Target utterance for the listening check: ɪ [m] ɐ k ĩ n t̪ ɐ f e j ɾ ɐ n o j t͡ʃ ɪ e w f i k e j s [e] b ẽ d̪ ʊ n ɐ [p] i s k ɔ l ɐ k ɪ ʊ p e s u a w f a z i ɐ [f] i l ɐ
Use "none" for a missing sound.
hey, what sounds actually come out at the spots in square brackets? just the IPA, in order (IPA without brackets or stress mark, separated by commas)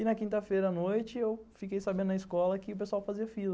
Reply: n, a, none, f